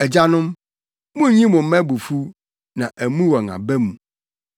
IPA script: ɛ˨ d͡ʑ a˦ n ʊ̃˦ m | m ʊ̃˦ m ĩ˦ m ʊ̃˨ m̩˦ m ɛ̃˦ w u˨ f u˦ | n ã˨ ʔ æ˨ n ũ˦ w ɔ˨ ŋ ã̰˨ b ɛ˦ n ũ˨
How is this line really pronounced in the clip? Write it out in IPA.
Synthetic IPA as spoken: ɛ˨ d͡ʑ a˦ n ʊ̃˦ m | m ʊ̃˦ ɲ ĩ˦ m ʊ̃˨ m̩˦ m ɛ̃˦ b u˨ f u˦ | n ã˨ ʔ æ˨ m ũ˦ w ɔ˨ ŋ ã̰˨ b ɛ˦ m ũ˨